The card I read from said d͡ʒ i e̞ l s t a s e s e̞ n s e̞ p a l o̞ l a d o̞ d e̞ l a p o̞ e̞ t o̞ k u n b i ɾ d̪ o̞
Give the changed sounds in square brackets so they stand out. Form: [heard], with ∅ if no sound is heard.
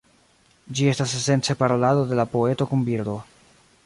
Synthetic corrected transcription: d͡ʒ i e̞ [∅] s t a s e s e̞ n [t͡s] e̞ p a [ɾ] o̞ l a d o̞ d e̞ l a p o̞ e̞ t o̞ k u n b i ɾ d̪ o̞

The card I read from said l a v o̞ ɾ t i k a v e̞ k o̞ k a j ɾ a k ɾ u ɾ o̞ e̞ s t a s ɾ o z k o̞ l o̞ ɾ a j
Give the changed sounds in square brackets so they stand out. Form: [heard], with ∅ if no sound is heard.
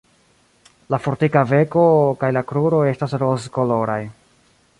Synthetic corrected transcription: l a [f] o̞ ɾ t i k a v e̞ k o̞ k a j [l] a k ɾ u ɾ o̞ e̞ s t a s ɾ o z k o̞ l o̞ ɾ a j

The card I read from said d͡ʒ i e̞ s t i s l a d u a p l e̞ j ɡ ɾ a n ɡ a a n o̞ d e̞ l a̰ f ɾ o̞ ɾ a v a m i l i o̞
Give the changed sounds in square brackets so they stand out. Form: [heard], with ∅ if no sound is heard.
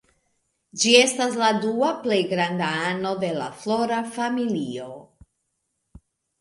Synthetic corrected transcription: d͡ʒ i e̞ s t [a] s l a d u a p l e̞ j ɡ ɾ a n [d] a a n o̞ d e̞ l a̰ f [l] o̞ ɾ a [f] a m i l i o̞

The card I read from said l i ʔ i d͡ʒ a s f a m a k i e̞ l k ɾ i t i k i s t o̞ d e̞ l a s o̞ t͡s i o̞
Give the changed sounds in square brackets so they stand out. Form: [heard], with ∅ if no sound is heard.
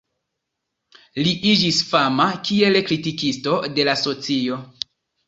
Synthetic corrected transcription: l i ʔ i d͡ʒ [i] s f a m a k i e̞ l k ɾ i t i k i s t o̞ d e̞ l a s o̞ t͡s i o̞

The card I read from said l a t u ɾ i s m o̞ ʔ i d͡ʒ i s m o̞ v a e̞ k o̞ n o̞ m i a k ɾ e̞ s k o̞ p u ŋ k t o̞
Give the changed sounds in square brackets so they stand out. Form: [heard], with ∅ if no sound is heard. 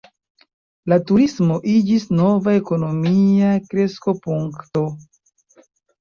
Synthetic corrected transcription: l a t u ɾ i s m o̞ ʔ i d͡ʒ i s [n] o̞ v a e̞ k o̞ n o̞ m i a k ɾ e̞ s k o̞ p u ŋ k t o̞

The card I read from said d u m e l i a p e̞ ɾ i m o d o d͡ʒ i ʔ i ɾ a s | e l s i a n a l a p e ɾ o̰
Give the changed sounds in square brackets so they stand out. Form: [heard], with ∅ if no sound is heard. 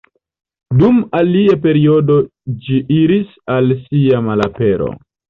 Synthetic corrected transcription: d u m [a] l i a p e̞ ɾ i [∅] o d o d͡ʒ i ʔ i ɾ [i] s | [a] l s i a [m] a l a p e ɾ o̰

